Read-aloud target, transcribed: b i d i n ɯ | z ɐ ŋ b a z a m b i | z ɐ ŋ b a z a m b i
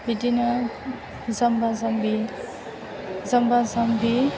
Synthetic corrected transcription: b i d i n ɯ | z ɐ m b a z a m b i | z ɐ m b a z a m b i